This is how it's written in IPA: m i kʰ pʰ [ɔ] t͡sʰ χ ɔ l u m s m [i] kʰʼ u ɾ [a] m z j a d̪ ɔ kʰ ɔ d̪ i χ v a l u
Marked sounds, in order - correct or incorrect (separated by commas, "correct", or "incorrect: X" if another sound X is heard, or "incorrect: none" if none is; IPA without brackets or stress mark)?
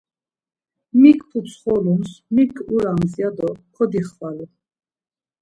incorrect: u, correct, correct